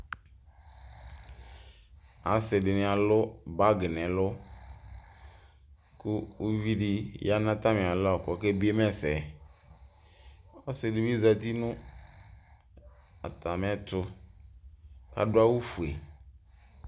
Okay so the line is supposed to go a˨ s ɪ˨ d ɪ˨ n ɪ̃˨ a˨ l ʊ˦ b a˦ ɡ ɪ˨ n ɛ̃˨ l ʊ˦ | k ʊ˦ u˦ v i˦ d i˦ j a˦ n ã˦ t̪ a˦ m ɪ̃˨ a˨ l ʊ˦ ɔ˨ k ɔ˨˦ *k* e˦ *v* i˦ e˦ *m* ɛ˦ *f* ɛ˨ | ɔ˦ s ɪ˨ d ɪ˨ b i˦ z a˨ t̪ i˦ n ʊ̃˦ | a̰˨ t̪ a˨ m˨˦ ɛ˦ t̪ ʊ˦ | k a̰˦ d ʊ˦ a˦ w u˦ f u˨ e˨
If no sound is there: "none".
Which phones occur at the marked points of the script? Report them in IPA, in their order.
k, b, m, s

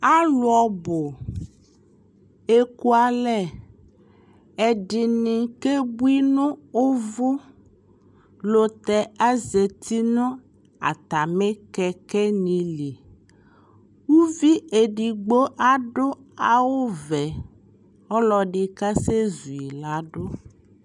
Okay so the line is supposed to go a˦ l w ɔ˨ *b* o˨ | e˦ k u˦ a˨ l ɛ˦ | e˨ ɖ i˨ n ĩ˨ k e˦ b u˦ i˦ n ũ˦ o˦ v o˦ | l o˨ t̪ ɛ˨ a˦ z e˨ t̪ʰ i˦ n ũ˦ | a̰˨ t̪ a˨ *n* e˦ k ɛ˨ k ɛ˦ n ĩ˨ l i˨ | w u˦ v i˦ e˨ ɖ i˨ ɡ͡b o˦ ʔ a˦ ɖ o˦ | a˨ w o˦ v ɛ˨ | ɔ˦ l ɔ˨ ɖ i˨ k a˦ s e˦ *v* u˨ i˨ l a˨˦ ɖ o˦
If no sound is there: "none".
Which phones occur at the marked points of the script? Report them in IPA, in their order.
b, m, z

